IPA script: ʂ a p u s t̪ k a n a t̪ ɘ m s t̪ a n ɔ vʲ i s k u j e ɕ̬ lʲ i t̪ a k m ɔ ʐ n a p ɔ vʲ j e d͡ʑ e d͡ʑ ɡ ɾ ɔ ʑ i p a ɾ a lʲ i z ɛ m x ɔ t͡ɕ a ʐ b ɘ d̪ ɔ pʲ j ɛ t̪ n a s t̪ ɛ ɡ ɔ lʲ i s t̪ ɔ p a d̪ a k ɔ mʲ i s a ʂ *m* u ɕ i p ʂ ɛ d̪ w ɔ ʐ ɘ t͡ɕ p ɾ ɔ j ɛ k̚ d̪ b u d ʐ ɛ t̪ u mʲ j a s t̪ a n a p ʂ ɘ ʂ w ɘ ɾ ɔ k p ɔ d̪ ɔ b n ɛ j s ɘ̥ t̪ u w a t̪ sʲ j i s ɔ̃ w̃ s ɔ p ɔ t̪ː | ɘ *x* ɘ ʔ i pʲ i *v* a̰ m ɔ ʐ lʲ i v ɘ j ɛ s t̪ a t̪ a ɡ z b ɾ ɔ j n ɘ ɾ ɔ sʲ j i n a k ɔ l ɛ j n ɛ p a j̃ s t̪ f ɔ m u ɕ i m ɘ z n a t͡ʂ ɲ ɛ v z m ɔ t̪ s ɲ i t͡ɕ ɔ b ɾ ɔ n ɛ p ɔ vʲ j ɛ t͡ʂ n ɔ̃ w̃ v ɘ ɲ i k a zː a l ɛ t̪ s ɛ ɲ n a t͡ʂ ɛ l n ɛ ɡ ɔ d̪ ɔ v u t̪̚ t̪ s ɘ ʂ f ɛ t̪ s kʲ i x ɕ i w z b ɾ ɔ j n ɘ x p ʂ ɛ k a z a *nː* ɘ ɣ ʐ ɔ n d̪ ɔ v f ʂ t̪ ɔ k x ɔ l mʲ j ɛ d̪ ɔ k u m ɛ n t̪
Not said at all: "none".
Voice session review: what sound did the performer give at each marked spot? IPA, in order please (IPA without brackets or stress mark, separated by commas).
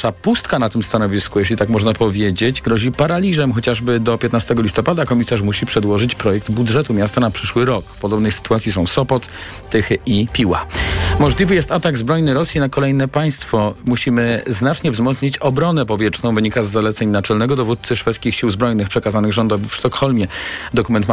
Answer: m, x, w, n